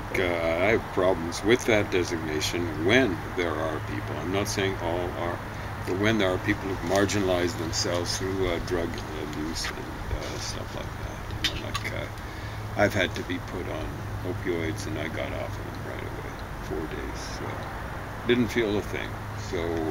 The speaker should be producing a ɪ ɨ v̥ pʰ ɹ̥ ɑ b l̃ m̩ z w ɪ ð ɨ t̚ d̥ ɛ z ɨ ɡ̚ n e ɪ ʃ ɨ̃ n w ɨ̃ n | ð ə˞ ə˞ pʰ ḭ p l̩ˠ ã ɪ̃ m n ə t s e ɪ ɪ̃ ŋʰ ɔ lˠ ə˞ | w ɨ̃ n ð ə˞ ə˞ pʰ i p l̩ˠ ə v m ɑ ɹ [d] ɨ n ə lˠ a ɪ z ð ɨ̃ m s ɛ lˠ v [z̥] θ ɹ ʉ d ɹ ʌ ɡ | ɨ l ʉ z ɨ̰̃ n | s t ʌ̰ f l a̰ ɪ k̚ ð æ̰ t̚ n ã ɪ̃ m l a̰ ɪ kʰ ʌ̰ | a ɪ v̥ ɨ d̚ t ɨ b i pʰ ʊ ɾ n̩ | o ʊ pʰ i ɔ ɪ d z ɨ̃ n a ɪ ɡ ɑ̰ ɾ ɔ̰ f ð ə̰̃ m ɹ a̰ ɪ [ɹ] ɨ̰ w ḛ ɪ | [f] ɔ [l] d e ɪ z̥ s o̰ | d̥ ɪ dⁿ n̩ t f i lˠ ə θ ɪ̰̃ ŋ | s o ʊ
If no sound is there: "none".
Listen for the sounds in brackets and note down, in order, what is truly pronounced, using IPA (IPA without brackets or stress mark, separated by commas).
d͡ʒ, z̥, ɾ, f, ɹ